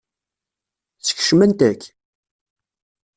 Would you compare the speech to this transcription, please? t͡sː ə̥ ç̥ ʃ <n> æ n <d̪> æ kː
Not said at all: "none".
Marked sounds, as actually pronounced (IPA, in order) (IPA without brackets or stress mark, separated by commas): m, t̪